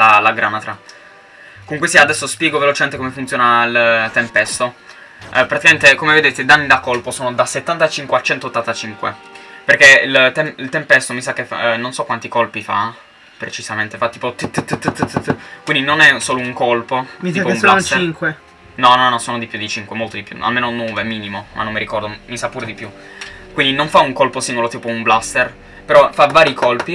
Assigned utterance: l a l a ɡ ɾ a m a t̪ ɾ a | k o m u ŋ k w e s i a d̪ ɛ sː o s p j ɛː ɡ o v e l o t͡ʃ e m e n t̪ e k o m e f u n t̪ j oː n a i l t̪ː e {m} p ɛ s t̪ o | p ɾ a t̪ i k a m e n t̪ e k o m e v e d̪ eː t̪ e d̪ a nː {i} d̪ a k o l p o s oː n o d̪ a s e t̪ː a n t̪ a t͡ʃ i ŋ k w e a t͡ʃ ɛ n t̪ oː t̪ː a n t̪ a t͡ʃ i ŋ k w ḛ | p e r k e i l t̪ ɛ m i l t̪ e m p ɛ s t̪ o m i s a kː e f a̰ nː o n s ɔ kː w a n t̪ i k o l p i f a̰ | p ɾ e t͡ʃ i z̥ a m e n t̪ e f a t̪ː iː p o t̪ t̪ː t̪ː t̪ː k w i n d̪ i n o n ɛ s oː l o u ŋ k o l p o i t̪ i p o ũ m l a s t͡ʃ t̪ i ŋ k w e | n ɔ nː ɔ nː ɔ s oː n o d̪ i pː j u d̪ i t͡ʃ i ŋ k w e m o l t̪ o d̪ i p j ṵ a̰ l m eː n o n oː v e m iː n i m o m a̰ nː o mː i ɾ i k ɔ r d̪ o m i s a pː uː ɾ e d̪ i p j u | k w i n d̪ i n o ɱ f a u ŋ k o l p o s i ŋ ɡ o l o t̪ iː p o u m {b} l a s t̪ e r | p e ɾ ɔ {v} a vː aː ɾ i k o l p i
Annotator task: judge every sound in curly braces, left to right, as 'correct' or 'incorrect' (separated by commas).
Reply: correct, correct, correct, incorrect